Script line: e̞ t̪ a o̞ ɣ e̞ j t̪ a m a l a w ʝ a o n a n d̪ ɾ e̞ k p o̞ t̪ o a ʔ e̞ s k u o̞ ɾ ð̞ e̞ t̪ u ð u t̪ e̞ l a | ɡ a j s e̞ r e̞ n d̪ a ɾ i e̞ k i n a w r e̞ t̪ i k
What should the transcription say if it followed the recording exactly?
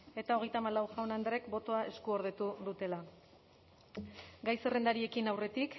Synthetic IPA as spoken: e̞ t̪ a o̞ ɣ e̞ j t̪ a m a l a w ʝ a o n a n d̪ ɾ e̞ k b o̞ t̪ o a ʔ e̞ s k u o̞ ɾ ð̞ e̞ t̪ u ð u t̪ e̞ l a | ɡ a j s e̞ r e̞ n d̪ a ɾ i e̞ k i n a w r e̞ t̪ i k